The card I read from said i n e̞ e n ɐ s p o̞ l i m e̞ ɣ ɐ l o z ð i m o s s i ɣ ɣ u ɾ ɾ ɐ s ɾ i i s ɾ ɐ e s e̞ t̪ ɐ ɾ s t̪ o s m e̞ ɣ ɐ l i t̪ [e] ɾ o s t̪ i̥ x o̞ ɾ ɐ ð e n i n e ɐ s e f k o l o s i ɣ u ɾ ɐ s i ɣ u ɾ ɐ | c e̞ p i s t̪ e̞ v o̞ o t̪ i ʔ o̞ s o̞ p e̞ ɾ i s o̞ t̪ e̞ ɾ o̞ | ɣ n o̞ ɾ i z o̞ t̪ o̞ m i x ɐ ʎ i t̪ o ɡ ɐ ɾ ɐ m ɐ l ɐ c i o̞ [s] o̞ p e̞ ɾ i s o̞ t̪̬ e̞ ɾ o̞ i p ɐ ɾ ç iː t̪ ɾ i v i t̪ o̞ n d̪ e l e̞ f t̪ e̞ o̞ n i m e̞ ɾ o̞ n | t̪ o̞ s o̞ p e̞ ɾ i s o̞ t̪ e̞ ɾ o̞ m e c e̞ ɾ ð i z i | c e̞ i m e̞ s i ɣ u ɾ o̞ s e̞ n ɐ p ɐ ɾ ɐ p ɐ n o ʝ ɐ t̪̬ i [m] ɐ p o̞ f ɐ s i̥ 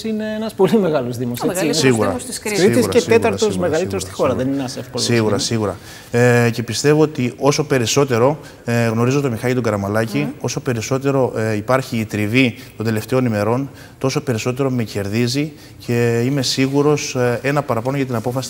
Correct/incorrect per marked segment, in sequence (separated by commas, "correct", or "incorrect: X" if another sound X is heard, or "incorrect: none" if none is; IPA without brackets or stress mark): correct, correct, incorrect: n